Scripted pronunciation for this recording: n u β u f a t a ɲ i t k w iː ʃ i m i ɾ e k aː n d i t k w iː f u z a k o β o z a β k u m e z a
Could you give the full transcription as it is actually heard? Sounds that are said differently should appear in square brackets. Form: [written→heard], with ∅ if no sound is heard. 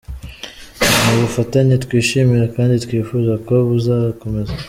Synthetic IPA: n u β u f a t a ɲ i t k w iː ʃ i m i ɾ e k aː n d i t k w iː f u z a k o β [o→u] z a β k [u→o] m e z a